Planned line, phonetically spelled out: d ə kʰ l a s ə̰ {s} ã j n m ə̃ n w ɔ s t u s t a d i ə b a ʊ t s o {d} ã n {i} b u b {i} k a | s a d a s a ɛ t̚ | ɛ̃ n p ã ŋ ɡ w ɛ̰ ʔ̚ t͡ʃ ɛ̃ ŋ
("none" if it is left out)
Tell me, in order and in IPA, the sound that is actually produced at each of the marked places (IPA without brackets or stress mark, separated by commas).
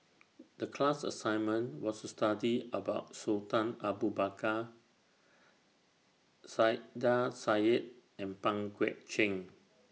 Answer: s, t, a, a